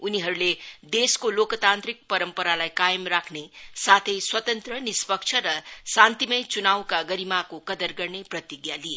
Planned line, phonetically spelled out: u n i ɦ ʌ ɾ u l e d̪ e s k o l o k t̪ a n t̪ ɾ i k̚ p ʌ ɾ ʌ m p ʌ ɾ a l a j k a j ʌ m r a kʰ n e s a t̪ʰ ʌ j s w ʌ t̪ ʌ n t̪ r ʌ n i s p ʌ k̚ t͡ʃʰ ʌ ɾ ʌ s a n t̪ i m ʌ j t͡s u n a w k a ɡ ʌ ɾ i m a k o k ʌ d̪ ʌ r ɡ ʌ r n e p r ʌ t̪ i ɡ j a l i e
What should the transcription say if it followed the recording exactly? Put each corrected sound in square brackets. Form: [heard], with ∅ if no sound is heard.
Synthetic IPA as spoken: u n i ɦ ʌ ɾ u l e d̪ e s k o l o k t̪ a n t̪ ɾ i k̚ p ʌ ɾ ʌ m p ʌ ɾ a l a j k a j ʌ m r a kʰ n e s a t̪ʰ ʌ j s w ʌ t̪ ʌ n t̪ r ʌ n i s p ʌ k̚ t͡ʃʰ ʌ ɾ ʌ s a n t̪ i m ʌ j t͡s u n a w k a ɡ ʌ ɾ i m a k o k ʌ d̪ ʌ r ɡ ʌ r n e p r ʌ t̪ i ɡ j a l i e